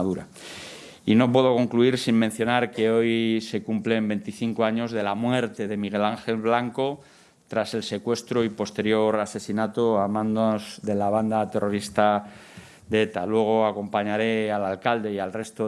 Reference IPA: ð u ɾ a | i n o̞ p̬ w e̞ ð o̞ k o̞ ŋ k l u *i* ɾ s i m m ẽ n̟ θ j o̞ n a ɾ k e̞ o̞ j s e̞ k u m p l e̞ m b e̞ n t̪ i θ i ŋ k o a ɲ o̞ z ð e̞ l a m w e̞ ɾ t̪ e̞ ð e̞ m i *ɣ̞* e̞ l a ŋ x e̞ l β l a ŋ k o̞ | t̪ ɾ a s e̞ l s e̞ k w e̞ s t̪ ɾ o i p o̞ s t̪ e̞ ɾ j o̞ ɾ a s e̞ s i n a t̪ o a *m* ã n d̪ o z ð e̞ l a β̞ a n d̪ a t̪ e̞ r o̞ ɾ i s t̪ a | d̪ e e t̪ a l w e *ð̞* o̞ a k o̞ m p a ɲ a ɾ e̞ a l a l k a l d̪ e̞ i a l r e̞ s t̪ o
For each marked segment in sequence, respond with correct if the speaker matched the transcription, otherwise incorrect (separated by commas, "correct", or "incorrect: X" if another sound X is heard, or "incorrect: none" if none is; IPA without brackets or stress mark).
correct, correct, correct, incorrect: ɣ̞